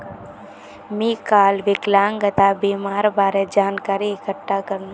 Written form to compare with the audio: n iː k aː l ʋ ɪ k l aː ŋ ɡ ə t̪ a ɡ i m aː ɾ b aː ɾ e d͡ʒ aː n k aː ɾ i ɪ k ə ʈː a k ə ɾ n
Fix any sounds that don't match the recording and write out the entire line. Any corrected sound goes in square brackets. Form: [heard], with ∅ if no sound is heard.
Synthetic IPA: [m] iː k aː l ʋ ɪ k l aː ŋ ɡ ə t̪ a [b] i m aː ɾ b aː ɾ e d͡ʒ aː n k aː ɾ i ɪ k ə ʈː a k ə ɾ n